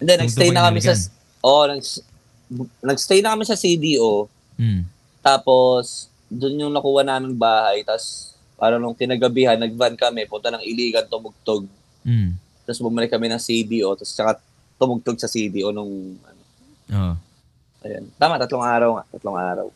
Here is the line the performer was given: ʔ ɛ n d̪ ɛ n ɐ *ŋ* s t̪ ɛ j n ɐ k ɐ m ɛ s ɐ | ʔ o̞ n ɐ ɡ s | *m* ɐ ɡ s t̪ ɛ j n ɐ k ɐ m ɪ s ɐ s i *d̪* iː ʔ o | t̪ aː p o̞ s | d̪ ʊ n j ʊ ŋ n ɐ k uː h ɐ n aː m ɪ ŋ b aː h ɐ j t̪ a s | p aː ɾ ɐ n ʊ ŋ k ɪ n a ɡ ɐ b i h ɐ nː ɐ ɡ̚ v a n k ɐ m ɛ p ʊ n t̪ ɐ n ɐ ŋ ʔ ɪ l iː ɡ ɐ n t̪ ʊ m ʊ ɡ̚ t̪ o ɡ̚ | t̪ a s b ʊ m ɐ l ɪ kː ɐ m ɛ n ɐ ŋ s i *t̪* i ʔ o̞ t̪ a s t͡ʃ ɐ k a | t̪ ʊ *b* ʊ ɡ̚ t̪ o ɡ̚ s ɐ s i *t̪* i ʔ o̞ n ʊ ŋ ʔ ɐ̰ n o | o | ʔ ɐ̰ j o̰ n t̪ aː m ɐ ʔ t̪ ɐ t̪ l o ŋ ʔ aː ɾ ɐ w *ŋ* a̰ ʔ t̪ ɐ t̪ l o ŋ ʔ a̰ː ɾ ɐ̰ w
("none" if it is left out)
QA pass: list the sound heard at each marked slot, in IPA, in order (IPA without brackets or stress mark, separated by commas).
ɡ, n, d̪, d̪, m, d̪, ŋ